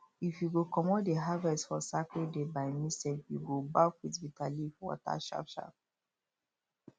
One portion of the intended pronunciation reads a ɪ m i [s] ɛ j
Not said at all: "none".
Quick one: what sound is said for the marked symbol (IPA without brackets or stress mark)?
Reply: s